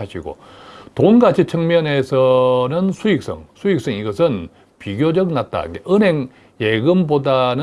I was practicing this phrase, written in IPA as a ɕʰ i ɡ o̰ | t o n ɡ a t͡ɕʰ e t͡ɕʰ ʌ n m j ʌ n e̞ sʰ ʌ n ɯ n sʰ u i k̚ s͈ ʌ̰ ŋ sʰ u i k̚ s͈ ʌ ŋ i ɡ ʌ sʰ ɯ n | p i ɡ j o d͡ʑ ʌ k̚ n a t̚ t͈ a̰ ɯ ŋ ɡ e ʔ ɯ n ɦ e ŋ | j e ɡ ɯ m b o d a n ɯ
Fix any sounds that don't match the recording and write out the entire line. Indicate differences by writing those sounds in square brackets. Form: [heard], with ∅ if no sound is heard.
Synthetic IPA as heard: a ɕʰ i ɡ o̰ | t o n ɡ a t͡ɕʰ [i] t͡ɕʰ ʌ [ŋ] m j ʌ n e̞ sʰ ʌ n ɯ n sʰ u i k̚ s͈ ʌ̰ ŋ sʰ u i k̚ s͈ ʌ ŋ i ɡ ʌ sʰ ɯ n | p i ɡ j o d͡ʑ ʌ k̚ n a t̚ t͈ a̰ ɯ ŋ ɡ e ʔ ɯ n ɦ e ŋ | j e ɡ ɯ m b o d a n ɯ

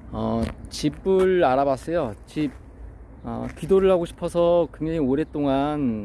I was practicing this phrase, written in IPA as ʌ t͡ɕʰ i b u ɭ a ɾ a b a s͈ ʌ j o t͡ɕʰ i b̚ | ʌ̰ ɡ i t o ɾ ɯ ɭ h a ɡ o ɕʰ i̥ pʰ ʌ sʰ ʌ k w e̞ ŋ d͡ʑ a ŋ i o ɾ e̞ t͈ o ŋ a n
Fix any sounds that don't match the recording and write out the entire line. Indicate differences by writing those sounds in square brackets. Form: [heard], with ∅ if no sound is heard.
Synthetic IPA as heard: ʌ [t͡ɕ] i b [ɯ] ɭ a ɾ a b a s͈ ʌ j o [t͡ɕ] i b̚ | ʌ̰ [k] i [d] o ɾ ɯ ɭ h a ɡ o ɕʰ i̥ pʰ ʌ sʰ ʌ k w e̞ ŋ d͡ʑ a ŋ i o ɾ e̞ t͈ o ŋ a n

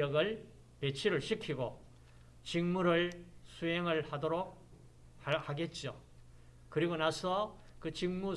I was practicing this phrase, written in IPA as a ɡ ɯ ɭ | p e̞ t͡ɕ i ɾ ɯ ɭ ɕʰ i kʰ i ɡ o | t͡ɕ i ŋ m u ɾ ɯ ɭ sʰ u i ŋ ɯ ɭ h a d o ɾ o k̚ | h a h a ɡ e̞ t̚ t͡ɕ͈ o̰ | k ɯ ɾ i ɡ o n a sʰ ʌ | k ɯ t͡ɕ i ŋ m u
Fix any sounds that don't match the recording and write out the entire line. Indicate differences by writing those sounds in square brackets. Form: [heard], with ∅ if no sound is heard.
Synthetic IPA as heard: [ʌ] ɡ ɯ ɭ | p e̞ [t͡ɕʰ] i ɾ ɯ ɭ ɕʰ i kʰ i ɡ o | t͡ɕ i ŋ m u ɾ ɯ ɭ sʰ u [e] ŋ ɯ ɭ h a d o ɾ o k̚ | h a h a ɡ e̞ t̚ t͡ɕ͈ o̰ | k ɯ ɾ i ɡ o n a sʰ ʌ | k ɯ t͡ɕ i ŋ m u

